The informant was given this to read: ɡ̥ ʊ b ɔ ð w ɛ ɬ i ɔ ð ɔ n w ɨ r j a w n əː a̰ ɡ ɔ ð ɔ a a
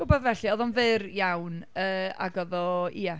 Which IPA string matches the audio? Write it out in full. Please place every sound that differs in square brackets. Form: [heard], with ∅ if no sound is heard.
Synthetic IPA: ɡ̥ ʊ b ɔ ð [v] ɛ ɬ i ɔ ð ɔ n [v] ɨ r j a w n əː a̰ ɡ ɔ ð ɔ [i] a